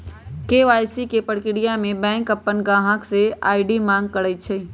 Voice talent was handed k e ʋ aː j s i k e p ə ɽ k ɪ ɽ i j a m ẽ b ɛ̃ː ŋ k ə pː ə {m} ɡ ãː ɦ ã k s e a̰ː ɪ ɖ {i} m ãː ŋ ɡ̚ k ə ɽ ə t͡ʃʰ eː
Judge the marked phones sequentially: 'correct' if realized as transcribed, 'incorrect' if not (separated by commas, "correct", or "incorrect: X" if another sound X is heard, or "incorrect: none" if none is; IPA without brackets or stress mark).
incorrect: n, correct